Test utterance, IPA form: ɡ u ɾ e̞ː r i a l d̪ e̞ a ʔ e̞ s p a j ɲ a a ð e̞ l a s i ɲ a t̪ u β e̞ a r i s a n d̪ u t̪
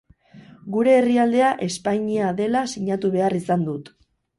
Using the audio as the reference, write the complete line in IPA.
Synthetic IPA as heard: ɡ u ɾ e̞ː r i a l d̪ e̞ a ʔ e̞ s p a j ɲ i a ð e̞ l a s i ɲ a t̪ u β e̞ a r i s a n d̪ u t̪